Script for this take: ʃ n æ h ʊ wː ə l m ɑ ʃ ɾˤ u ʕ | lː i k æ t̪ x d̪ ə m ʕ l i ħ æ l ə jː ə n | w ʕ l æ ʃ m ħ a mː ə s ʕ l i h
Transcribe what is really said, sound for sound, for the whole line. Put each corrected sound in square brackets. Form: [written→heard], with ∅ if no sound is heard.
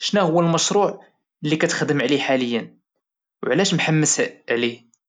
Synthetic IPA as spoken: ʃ n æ h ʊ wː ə l m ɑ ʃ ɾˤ u ʕ | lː i k æ t̪ x d̪ ə m ʕ l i ħ [æ→a] l ə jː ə n | w ʕ l æ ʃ m ħ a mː ə s ʕ l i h